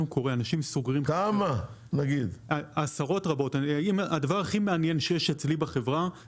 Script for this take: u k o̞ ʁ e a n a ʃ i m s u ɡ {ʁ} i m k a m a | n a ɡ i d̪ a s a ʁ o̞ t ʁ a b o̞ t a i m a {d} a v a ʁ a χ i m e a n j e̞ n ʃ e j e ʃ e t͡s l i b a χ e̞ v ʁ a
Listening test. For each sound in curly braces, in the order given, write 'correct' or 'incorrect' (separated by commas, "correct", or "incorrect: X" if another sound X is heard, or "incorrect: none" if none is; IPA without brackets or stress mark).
correct, correct